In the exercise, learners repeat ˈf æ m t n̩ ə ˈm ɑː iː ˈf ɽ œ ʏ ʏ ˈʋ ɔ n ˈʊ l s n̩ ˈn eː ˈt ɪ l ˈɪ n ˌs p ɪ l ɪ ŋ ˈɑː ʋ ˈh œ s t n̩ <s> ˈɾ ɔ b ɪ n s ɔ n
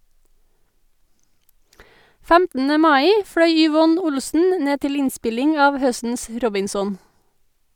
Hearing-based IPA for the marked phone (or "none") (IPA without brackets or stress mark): s